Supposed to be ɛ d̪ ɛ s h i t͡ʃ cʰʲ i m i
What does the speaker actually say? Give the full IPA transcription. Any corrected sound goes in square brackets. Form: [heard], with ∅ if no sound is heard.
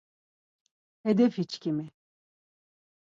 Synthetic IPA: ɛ d̪ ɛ [f] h i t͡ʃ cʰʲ i m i